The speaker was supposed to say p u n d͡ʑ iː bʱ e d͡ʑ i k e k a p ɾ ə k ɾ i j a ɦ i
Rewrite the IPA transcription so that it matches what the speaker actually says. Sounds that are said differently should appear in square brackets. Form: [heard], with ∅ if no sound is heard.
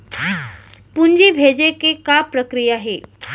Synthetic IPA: p u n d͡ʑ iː bʱ e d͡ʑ [e] k e k a p ɾ ə k ɾ i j a ɦ [e]